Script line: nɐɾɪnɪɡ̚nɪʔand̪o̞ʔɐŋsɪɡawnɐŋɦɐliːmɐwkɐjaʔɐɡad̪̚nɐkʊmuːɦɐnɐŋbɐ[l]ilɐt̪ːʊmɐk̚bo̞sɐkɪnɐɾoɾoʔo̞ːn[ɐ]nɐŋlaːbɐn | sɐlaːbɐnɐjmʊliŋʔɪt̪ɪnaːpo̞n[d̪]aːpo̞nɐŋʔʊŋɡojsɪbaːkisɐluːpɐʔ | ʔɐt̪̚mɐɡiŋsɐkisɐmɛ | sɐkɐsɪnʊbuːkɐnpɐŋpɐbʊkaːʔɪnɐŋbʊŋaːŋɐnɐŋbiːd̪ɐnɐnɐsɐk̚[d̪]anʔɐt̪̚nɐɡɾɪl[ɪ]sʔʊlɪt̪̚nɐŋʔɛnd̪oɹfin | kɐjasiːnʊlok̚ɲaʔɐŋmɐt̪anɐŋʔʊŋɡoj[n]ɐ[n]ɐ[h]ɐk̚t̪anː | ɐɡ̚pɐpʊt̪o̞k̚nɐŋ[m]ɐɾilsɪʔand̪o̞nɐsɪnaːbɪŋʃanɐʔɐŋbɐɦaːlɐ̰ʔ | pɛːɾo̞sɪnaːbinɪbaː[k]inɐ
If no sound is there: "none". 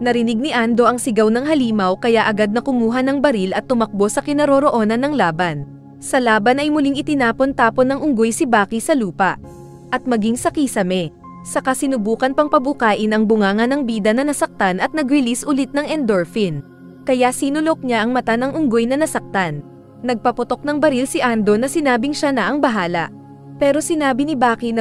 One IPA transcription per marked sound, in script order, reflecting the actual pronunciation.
ɾ, ɐ, t̪, t̪, i, n, n, s, b, k

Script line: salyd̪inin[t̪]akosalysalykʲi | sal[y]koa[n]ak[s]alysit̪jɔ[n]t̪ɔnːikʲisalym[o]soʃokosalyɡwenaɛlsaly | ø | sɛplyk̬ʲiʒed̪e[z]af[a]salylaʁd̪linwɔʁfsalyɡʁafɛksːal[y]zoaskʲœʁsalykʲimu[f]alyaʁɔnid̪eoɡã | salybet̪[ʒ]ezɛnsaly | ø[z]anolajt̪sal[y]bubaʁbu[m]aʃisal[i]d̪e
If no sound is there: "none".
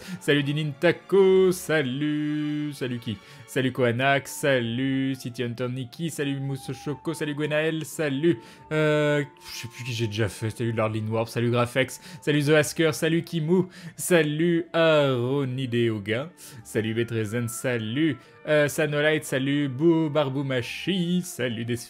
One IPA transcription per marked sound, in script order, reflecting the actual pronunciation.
t̪, y, n, s, n, u, ʒ, ɛ, y, s, ʁ, s, y, m, y

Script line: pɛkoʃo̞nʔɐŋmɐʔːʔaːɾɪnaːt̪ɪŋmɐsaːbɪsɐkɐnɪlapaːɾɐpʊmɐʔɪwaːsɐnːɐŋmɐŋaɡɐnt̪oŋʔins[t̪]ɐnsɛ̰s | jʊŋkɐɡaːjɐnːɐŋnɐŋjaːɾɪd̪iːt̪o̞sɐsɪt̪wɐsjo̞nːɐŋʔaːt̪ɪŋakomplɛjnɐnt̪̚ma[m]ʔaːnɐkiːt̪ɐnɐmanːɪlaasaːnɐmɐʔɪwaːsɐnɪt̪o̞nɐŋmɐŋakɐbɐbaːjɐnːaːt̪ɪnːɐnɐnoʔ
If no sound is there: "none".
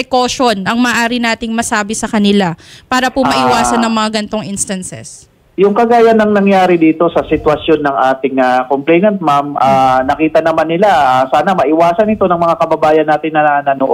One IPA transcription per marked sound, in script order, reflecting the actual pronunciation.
t̪, m

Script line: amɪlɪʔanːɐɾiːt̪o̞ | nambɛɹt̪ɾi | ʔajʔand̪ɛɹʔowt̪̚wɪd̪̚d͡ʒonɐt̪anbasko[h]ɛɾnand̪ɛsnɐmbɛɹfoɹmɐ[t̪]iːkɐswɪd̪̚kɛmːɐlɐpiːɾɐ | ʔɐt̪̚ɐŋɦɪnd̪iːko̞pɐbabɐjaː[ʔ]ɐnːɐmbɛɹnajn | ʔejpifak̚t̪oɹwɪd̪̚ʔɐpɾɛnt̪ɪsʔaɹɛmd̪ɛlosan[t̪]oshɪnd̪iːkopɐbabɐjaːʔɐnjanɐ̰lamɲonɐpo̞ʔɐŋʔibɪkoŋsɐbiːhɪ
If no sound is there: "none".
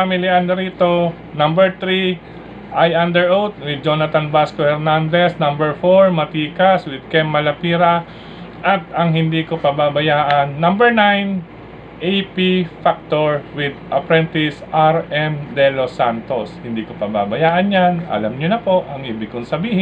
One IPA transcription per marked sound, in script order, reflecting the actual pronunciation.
h, t̪, ʔ, t̪

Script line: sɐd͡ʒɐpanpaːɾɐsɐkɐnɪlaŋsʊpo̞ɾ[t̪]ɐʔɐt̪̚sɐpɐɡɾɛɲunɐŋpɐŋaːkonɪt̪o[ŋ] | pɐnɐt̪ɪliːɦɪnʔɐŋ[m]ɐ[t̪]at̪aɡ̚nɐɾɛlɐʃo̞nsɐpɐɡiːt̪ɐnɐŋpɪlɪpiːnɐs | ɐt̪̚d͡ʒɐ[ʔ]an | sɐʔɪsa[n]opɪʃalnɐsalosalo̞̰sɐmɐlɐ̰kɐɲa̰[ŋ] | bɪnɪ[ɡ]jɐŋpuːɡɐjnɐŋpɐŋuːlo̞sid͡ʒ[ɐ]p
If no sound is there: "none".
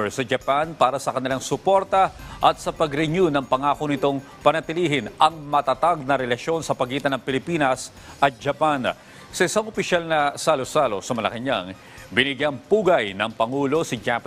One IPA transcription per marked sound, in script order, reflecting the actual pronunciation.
t̪, ŋ, m, t̪, p, ŋ, ŋ, ɡ, a

